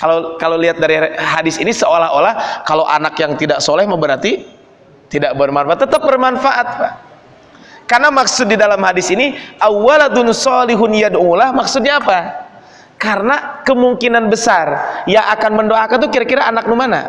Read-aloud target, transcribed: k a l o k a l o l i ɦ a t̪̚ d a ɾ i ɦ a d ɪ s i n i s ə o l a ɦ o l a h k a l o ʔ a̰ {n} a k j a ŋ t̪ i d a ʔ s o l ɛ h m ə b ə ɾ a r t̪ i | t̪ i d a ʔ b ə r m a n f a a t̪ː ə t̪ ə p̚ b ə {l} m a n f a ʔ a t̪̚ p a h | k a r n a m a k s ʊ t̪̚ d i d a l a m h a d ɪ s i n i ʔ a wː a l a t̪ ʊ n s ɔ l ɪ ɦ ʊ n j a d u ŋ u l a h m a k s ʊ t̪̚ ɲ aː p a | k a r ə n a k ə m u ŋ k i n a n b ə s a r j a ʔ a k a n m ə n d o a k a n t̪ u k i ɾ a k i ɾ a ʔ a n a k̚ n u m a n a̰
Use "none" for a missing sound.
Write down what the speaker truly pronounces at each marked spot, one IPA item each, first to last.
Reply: n, r

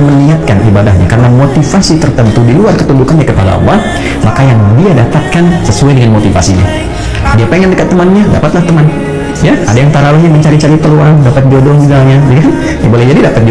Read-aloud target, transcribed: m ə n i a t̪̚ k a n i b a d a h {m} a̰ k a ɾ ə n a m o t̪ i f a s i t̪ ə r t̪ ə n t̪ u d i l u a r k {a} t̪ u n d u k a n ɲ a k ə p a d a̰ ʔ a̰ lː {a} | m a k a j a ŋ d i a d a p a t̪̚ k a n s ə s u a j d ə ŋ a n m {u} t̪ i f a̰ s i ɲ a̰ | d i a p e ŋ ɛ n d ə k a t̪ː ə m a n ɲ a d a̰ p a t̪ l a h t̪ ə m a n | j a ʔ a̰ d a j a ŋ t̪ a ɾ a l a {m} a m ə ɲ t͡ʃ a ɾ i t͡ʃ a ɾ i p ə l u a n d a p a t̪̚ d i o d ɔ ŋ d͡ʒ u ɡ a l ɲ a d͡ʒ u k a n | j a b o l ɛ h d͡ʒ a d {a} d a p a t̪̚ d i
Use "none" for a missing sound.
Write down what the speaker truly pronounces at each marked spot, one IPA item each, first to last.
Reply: ɲ, ə, a, o, ɲ, i

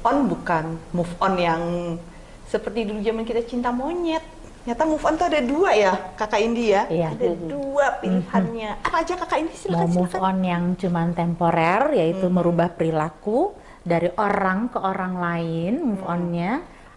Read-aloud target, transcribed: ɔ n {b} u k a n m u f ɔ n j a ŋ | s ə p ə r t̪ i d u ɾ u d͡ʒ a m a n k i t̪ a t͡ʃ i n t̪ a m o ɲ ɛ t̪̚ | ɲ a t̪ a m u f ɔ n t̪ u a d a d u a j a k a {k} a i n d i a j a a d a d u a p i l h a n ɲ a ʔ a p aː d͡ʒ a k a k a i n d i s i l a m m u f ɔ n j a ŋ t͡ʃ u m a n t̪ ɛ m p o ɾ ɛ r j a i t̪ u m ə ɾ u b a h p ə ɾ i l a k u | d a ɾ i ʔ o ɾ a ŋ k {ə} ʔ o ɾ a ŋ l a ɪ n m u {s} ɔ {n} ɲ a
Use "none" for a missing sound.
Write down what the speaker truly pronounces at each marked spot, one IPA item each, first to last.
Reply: b, k, ə, f, n

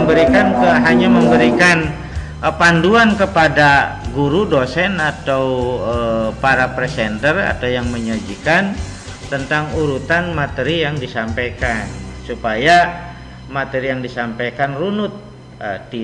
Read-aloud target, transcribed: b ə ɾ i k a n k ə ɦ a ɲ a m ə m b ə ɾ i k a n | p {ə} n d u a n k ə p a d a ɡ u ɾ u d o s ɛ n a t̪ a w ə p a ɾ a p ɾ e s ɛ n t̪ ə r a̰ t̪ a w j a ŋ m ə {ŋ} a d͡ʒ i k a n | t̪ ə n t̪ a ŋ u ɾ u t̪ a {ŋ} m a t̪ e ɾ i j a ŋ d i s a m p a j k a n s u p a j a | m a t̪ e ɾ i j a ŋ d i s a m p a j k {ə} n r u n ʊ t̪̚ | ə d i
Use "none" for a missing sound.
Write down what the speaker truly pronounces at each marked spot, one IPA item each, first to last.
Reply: a, ɲ, n, a

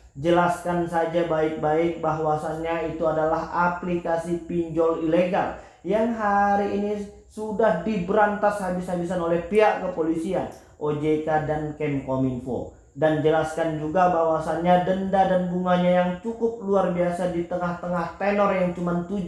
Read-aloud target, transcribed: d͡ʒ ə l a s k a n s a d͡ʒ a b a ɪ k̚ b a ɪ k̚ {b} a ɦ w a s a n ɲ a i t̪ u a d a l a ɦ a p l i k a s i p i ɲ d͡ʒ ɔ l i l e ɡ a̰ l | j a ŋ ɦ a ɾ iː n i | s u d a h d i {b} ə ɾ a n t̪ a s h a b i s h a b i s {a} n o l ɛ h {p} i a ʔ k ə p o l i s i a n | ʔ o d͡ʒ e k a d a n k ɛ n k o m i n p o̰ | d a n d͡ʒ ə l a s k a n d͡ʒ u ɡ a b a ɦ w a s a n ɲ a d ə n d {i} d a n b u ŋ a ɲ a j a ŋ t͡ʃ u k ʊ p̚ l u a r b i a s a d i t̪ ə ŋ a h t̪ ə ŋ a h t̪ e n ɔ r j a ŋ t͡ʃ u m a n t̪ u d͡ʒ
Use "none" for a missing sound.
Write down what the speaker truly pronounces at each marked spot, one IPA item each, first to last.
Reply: b, b, a, p, a

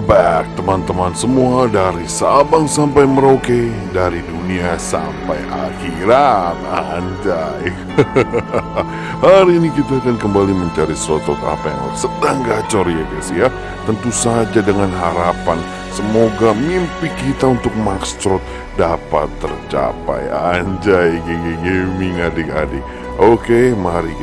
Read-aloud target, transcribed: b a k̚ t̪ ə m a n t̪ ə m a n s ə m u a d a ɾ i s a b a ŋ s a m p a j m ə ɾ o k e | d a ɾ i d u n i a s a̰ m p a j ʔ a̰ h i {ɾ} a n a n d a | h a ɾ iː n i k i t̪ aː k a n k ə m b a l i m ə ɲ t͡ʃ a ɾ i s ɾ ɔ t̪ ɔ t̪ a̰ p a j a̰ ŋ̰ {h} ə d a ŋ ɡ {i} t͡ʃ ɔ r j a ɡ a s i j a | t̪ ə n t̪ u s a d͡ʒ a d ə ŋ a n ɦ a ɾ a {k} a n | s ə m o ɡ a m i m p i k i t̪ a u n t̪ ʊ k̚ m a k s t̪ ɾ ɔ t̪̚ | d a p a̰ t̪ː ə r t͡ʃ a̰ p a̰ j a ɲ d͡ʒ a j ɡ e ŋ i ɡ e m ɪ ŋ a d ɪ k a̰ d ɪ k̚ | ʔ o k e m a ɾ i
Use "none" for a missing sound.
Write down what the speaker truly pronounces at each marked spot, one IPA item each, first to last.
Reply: ɾ, s, a, p

